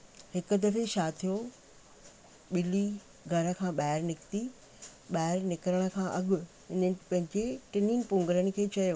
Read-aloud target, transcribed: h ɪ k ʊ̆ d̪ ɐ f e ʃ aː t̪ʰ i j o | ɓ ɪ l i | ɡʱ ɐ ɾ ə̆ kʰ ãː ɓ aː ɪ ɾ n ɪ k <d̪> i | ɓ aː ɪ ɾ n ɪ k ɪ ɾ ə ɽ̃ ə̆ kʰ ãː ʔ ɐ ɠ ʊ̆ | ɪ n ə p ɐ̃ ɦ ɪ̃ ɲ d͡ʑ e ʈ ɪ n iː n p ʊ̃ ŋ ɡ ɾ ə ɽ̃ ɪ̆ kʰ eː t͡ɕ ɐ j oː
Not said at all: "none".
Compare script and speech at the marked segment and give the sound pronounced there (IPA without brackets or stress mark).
t̪